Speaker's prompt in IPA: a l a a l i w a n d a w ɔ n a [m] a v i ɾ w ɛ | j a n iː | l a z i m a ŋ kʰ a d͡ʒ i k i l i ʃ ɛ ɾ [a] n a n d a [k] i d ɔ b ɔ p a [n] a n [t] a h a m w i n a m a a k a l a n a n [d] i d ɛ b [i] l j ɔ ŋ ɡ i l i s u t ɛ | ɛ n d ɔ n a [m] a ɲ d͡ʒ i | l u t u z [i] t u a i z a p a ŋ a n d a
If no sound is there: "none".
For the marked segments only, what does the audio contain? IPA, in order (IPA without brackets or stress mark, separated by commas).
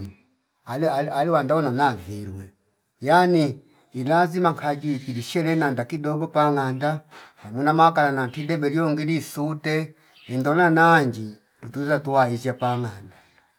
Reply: n, ɛ, k, ŋ, d, t, ɛ, n, a